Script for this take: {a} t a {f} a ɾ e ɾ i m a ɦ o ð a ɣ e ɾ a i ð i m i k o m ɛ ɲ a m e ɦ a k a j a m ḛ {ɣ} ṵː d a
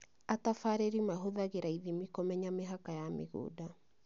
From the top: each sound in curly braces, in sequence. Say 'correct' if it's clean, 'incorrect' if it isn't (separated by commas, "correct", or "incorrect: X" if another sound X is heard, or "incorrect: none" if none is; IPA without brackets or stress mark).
correct, correct, correct